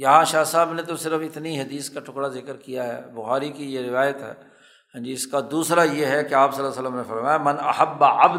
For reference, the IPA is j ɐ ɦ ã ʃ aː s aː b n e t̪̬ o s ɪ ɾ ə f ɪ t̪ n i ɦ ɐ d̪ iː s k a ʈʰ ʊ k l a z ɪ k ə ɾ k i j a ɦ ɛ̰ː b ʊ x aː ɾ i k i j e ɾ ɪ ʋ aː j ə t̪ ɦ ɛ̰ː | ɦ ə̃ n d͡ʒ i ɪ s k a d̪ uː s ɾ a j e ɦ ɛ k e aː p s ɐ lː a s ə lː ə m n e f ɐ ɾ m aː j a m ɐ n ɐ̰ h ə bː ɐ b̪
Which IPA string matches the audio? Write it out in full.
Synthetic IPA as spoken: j ɐ ɦ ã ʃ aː s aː b n e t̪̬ o s ɪ ɾ ə f ɪ t̪ n i ɦ ɐ d̪ iː s k a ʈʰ ʊ k ɽ a z ɪ k ə ɾ k i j a ɦ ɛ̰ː b ʊ x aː ɾ i k i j e ɾ ɪ ʋ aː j ə t̪ ɦ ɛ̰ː | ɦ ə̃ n d͡ʒ i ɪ s k a d̪ uː s ɾ a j e ɦ ɛ k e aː p s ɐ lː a s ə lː ə m n e f ɐ ɾ m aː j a m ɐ n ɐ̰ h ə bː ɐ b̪